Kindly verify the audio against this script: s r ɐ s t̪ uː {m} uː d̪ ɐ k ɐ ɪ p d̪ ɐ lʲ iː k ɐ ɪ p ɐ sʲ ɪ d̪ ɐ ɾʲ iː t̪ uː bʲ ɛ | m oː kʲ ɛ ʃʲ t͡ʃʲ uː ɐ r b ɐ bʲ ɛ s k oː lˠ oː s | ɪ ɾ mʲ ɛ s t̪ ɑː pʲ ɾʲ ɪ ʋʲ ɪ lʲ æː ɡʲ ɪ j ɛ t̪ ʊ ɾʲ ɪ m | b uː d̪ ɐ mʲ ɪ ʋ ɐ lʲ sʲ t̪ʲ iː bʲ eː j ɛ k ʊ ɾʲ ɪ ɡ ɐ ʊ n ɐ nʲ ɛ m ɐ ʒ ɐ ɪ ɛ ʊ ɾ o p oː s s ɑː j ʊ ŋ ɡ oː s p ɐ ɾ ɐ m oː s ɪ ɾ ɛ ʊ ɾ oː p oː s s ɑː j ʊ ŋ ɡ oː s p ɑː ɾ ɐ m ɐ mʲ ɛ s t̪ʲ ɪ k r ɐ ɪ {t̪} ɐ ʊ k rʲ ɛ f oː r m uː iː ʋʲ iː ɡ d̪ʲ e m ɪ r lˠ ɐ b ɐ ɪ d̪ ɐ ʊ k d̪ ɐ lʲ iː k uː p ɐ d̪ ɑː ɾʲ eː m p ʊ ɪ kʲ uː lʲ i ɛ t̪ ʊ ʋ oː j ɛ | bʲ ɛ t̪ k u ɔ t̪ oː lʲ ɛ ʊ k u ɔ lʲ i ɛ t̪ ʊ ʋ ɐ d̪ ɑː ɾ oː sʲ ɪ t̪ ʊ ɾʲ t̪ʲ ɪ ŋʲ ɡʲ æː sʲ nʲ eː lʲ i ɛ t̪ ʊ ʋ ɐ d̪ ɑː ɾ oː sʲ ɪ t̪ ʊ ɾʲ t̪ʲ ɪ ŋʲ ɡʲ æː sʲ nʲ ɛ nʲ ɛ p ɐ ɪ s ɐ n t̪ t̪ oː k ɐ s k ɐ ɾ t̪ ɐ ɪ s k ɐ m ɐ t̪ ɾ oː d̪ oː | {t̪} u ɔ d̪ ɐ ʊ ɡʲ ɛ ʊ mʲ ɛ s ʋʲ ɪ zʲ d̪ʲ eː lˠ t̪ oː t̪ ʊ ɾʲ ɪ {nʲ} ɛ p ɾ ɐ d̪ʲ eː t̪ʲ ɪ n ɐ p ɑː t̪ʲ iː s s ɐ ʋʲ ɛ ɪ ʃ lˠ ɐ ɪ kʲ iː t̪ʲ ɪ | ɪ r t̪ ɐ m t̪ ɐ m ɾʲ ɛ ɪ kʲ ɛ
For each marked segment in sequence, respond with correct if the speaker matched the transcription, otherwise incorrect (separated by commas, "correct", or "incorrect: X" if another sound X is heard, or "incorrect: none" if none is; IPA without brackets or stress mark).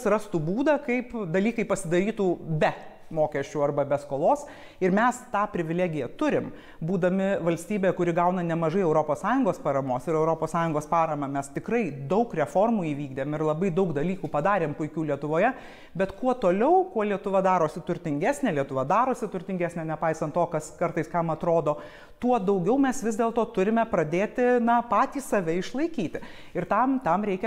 incorrect: b, incorrect: d̪, correct, incorrect: mʲ